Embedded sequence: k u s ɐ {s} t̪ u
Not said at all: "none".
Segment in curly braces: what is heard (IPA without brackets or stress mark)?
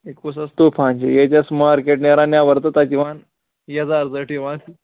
s